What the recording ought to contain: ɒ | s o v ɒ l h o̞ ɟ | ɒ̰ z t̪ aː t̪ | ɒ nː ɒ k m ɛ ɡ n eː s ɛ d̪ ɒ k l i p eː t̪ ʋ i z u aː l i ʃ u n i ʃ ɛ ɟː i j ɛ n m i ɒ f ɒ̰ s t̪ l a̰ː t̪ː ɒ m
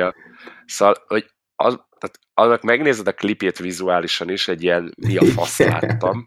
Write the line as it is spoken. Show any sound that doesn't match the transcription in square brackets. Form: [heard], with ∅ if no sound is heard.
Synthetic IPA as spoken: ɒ | s o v ɒ l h o̞ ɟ | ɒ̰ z t̪ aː t̪ | ɒ nː ɒ k m ɛ ɡ n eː [z] ɛ d̪ ɒ k l i p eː t̪ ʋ i z u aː l i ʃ [ɒ] n i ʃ ɛ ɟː i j ɛ n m i ɒ f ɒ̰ s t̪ l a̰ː t̪ː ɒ m